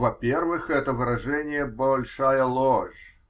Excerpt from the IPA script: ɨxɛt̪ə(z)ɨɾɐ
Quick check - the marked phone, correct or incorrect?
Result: incorrect